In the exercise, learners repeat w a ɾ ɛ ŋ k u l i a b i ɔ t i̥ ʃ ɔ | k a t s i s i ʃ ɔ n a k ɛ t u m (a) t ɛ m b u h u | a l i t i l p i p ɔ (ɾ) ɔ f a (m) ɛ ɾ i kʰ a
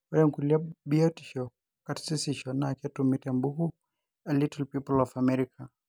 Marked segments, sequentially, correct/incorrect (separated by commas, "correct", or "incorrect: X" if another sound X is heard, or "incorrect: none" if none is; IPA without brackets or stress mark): incorrect: i, incorrect: l, correct